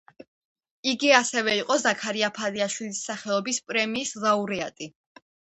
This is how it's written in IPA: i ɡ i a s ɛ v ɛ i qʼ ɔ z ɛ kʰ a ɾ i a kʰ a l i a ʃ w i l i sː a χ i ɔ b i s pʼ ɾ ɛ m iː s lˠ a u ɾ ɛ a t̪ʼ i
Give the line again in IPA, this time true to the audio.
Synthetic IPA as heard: i ɡ i a s ɛ v ɛ i qʼ ɔ z a kʰ a ɾ i a pʰ a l i a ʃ w i l i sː a χ ɛ ɔ b i s pʼ ɾ ɛ m iː s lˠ a u ɾ ɛ a t̪ʼ i